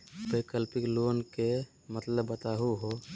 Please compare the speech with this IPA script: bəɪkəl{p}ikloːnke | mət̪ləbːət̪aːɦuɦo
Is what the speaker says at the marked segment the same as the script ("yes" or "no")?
yes